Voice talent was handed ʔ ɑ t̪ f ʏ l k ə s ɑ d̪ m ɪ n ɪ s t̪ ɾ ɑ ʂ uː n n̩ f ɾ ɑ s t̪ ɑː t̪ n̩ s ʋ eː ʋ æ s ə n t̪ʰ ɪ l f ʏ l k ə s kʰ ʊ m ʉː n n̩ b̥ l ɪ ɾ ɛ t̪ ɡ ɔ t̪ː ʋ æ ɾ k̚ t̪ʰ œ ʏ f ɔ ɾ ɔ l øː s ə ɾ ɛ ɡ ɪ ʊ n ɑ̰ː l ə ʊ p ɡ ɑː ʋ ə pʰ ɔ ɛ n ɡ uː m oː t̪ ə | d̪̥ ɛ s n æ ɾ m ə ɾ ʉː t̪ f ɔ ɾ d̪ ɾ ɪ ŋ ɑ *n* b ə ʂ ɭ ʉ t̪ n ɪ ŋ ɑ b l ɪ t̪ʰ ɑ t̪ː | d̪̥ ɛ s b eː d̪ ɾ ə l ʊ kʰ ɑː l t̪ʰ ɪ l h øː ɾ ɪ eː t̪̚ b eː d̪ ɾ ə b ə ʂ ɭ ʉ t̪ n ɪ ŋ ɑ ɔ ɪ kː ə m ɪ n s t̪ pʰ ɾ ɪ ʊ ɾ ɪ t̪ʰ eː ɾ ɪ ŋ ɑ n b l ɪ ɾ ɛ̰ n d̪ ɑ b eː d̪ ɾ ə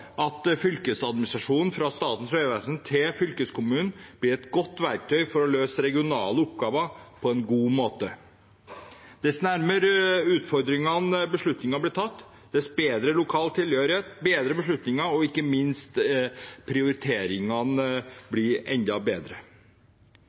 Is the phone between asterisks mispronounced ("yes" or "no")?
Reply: no